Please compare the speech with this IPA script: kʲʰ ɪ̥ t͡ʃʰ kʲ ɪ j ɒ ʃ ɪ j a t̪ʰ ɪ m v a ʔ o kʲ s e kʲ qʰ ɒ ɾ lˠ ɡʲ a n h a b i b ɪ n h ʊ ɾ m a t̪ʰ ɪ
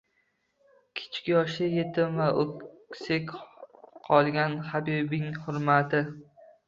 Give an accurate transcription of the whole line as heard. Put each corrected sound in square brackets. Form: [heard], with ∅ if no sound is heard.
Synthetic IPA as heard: kʲʰ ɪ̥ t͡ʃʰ kʲ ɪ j ɒ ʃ ɪ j [e] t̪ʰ ɪ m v a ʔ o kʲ s e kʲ qʰ ɒ [∅] lˠ ɡʲ a n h a b i b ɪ [ŋ] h ʊ ɾ m a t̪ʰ ɪ